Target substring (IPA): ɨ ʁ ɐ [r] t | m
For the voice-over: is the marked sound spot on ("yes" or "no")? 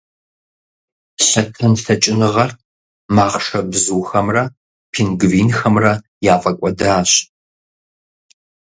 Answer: yes